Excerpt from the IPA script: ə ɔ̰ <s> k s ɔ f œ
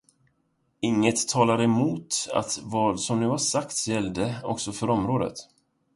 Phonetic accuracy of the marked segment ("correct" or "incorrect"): incorrect